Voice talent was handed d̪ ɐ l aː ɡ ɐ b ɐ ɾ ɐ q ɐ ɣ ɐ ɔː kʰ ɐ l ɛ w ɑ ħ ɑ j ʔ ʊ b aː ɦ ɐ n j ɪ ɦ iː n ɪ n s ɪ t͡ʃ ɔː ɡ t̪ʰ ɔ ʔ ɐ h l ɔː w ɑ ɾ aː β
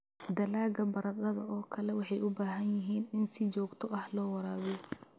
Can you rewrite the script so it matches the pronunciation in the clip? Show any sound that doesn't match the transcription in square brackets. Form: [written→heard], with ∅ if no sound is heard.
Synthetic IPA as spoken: d̪ ɐ l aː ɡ ɐ b ɐ ɾ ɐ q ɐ [ɣ→ð] ɐ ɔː kʰ ɐ l ɛ w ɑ ħ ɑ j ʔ ʊ b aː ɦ ɐ n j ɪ ɦ iː n ɪ n s ɪ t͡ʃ ɔː ɡ t̪ʰ ɔ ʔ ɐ h l ɔː w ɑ ɾ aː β